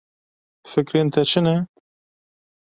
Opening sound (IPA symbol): f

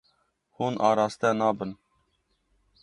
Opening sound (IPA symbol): h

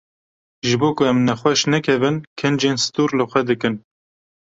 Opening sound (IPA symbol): ʒ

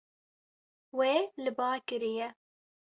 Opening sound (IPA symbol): w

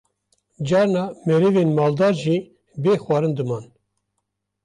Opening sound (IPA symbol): d͡ʒ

